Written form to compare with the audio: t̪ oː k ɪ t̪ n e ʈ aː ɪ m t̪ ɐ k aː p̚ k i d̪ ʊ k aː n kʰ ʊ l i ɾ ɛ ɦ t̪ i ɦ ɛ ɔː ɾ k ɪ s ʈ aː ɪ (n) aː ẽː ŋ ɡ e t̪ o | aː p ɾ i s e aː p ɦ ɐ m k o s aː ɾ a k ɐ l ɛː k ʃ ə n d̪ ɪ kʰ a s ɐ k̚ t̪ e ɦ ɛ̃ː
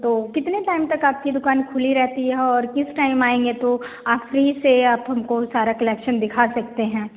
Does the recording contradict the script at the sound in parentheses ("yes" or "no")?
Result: yes